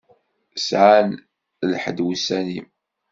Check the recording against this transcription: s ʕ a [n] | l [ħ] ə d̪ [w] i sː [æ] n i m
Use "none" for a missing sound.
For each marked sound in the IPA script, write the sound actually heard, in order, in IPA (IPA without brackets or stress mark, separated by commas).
n, ħ, w, æ